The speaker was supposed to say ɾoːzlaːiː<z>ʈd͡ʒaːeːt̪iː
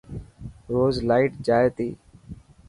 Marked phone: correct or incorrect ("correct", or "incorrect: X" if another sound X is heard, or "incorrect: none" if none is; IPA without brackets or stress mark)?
incorrect: none